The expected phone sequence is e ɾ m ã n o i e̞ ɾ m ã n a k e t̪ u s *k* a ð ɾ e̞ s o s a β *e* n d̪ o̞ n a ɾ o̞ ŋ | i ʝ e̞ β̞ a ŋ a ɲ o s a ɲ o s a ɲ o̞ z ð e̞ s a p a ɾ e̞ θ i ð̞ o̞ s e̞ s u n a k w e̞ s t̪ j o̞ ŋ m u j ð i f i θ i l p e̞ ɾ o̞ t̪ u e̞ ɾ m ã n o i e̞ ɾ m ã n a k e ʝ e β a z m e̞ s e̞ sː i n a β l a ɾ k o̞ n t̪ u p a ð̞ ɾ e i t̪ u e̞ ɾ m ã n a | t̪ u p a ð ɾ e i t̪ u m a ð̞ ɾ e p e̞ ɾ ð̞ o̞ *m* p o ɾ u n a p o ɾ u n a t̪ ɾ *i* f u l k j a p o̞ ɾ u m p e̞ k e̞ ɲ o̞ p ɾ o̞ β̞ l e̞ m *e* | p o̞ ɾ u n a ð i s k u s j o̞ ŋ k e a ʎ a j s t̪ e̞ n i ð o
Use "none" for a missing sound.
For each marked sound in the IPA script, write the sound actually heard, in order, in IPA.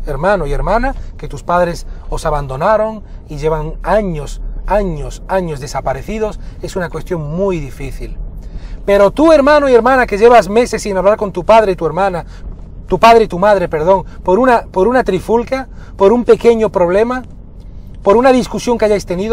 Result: p, a, ŋ, i, a

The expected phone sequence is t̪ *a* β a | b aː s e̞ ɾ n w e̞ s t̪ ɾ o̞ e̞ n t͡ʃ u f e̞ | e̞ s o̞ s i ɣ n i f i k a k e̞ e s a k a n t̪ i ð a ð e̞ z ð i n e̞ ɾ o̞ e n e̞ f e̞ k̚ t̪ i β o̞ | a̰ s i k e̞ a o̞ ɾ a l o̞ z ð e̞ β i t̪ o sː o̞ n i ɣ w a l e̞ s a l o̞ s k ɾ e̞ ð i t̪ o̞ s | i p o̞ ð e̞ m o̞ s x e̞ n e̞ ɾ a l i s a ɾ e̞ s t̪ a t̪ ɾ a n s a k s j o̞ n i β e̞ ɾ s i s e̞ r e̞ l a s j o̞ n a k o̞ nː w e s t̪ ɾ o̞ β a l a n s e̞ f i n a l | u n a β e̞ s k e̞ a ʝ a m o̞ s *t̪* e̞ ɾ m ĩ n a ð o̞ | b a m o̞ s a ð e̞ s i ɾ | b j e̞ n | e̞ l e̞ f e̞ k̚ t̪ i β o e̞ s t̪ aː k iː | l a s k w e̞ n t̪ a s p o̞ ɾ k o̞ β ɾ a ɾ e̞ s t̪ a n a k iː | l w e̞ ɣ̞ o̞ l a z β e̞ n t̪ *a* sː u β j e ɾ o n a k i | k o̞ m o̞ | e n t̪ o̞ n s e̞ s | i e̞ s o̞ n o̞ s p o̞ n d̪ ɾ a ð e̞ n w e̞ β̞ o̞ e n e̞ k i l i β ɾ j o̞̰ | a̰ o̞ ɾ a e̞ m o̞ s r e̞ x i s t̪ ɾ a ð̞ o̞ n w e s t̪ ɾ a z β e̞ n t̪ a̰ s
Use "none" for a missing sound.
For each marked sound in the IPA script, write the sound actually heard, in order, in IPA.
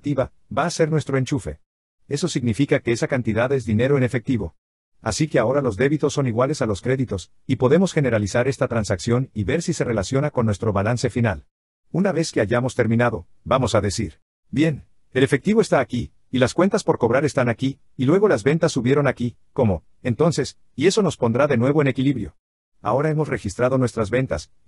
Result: i, t̪, a

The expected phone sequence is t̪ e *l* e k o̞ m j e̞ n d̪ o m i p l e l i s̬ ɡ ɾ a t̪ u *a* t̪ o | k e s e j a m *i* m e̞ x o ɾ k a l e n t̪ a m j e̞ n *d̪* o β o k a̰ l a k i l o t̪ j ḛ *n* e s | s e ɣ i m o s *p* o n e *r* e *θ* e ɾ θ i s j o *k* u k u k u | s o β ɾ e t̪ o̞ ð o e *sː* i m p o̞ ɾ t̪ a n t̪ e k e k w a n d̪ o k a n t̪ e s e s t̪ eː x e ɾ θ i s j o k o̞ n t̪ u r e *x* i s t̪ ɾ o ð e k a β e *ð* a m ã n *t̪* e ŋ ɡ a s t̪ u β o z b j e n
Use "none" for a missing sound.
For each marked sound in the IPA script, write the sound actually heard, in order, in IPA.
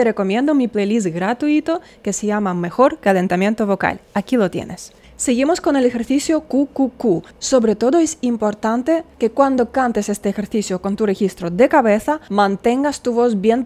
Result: r, i, a, t̪, n, k, l, x, k, s, x, θ, t̪

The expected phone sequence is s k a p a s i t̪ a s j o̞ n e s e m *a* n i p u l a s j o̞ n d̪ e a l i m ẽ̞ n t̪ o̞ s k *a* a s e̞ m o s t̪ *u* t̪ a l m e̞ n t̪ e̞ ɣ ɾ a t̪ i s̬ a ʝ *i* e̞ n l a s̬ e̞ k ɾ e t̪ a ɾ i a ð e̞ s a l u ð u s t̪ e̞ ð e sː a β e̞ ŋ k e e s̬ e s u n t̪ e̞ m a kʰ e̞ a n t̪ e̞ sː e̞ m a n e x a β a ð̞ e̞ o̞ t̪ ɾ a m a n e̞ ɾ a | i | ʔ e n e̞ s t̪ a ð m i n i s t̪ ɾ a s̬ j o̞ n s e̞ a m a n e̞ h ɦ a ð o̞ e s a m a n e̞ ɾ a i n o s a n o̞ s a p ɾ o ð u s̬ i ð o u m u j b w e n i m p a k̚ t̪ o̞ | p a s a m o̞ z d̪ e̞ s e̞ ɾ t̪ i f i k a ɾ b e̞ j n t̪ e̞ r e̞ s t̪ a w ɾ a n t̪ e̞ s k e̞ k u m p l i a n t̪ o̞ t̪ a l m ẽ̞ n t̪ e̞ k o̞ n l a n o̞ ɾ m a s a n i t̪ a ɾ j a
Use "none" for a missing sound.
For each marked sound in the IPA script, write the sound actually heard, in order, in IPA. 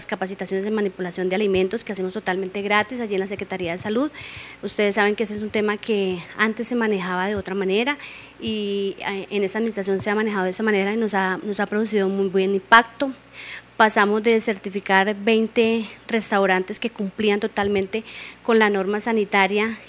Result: a, e, o, i

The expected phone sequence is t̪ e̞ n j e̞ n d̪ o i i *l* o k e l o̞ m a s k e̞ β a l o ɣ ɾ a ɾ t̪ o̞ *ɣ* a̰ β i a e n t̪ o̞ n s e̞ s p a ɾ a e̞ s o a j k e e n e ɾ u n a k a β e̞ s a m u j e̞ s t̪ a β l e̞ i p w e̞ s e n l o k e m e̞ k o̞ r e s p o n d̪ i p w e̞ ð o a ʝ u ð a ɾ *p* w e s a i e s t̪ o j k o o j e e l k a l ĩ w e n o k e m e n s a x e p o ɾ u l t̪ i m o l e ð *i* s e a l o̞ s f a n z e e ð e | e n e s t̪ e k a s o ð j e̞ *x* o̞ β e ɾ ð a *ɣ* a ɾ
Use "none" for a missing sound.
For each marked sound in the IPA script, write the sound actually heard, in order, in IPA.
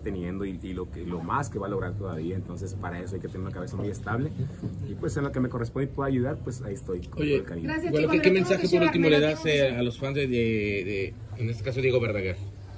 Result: l, ð, p, a, ɣ, ɣ

